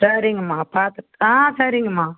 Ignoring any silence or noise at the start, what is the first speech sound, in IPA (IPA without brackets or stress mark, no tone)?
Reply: s